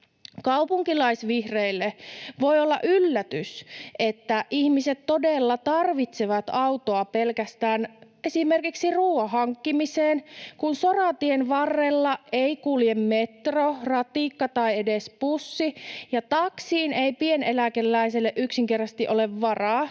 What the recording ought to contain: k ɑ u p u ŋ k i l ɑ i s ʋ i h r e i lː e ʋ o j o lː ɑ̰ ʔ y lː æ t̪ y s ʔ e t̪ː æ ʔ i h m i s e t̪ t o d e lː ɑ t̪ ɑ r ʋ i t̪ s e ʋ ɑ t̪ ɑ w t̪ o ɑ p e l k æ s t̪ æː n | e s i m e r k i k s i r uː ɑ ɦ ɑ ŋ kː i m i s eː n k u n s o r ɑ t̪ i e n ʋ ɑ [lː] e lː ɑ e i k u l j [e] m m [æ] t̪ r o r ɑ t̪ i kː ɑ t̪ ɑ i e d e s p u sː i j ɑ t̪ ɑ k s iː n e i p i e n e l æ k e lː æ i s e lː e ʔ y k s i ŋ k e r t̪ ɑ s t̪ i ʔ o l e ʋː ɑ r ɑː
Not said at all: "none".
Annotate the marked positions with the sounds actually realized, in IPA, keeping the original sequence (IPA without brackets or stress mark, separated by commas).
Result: rː, e, e